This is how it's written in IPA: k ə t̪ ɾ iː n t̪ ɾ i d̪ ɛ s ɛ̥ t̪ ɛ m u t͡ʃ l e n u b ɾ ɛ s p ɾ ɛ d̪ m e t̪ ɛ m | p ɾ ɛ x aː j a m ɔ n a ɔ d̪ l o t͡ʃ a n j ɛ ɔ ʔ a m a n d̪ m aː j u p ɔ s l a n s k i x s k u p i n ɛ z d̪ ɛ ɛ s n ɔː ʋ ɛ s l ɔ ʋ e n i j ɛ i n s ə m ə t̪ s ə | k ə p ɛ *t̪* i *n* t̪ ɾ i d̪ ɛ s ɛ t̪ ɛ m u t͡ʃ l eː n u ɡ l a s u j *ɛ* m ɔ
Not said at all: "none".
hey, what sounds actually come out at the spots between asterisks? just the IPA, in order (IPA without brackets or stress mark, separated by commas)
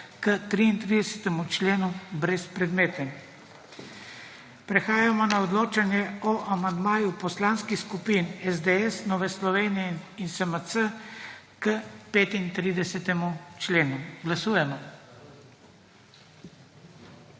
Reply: t̪, n, ɛ